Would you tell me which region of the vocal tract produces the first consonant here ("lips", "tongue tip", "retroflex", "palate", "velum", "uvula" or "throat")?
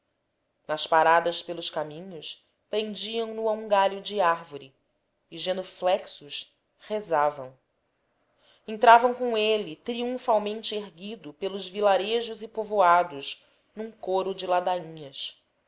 tongue tip